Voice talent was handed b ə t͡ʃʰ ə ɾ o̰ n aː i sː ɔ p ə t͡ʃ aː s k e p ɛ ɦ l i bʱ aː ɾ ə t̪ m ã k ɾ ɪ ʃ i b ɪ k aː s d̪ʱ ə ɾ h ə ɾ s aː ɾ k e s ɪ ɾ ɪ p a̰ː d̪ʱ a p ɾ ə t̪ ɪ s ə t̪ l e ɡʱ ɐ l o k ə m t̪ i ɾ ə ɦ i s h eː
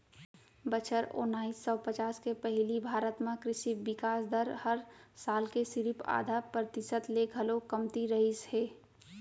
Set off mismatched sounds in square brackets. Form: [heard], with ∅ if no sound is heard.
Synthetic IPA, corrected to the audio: b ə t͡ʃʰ ə ɾ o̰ n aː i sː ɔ p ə t͡ʃ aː s k e p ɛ ɦ l i bʱ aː ɾ ə t̪ m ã k ɾ ɪ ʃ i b ɪ k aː s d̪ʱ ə ɾ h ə ɾ s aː [l] k e s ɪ ɾ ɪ p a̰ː d̪ʱ a p ɾ ə t̪ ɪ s ə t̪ l e ɡʱ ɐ l o k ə m t̪ i ɾ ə ɦ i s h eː